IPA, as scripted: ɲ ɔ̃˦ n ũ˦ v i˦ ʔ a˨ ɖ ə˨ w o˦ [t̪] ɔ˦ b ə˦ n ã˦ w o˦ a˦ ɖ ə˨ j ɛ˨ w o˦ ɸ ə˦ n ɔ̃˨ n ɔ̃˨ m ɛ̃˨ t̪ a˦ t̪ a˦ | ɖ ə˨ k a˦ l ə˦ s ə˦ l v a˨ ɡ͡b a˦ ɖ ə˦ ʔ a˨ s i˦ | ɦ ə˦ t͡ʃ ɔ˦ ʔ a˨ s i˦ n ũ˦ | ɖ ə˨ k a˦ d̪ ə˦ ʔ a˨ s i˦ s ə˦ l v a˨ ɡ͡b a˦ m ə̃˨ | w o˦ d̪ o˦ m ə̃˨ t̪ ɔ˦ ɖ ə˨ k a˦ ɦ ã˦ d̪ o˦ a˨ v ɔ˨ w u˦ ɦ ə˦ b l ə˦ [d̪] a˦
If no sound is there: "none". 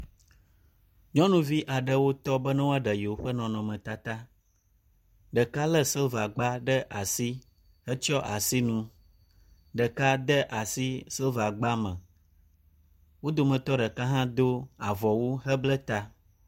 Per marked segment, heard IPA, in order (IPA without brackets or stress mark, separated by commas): t̪, t̪